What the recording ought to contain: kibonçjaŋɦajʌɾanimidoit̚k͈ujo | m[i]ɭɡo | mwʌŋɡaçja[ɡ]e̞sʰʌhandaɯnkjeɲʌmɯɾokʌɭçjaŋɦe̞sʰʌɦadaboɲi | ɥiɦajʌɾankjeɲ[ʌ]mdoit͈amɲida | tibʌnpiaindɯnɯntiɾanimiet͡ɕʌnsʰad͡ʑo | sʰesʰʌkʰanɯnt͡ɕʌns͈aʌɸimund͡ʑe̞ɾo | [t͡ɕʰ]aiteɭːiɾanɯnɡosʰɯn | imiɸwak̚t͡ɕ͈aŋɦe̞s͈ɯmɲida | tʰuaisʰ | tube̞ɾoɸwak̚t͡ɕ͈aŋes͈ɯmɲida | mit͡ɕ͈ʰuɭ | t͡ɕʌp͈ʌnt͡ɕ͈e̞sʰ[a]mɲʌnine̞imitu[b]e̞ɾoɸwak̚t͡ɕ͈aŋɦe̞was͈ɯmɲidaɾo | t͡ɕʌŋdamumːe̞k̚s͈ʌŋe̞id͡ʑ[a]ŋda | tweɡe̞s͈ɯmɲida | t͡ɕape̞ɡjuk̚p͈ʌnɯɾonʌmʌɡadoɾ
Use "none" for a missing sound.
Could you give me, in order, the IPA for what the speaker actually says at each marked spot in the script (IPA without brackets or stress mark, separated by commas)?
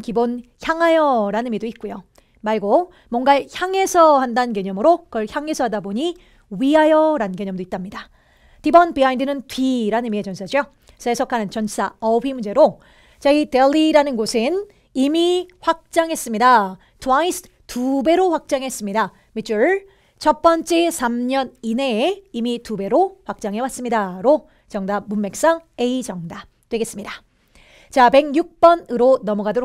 a, ŋ, ʌ, t͡ɕ, a, b, ʌ